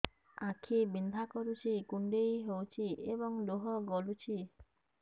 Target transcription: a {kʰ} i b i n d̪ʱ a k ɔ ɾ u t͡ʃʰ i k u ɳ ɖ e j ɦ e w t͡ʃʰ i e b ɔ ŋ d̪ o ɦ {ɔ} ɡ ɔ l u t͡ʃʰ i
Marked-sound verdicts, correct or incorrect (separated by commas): correct, correct